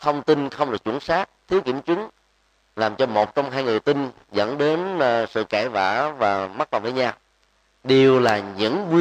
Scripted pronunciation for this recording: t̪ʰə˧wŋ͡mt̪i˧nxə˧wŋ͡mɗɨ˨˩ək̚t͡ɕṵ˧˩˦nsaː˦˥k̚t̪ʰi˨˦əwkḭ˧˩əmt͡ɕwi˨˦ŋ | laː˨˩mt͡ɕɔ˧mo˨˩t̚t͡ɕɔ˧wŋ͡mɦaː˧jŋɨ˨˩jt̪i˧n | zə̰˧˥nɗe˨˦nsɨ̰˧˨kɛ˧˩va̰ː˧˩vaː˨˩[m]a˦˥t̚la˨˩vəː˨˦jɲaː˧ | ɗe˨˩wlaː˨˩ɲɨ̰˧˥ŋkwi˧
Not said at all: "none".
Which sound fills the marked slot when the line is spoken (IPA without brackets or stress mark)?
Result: m